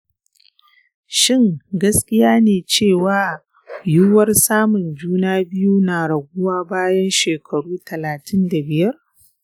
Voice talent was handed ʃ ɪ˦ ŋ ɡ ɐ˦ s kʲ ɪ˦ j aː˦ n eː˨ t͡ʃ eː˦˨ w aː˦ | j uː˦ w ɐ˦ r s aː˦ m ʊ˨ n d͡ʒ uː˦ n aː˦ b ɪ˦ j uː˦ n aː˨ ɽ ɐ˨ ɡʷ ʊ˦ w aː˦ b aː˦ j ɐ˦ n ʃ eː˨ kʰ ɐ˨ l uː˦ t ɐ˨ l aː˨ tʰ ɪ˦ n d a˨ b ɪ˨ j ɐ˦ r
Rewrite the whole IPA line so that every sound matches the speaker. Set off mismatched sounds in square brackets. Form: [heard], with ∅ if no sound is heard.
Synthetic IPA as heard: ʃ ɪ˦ ŋ ɡ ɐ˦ s kʲ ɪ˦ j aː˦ n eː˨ t͡ʃ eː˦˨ w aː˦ | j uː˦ w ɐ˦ r s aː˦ m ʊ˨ n d͡ʒ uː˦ n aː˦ b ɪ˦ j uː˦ n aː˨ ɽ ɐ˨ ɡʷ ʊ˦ w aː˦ b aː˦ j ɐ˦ n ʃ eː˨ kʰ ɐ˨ [ɽ] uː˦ t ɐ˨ l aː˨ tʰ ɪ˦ n d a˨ b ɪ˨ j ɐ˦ r